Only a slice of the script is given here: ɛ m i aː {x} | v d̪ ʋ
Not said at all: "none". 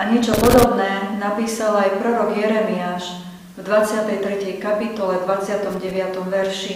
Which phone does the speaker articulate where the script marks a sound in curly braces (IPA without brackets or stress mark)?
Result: ʃ